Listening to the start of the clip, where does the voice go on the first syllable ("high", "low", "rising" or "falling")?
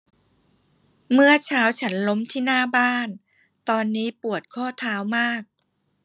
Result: falling